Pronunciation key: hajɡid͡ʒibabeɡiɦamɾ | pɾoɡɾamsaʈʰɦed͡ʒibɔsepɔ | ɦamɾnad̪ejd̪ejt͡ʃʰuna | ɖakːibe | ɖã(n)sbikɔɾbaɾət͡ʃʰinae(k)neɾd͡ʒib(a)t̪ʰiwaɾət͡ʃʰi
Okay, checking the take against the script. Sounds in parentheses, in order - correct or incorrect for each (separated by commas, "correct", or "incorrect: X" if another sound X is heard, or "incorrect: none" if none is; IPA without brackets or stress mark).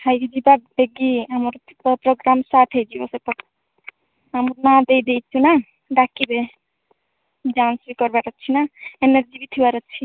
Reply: correct, incorrect: none, incorrect: i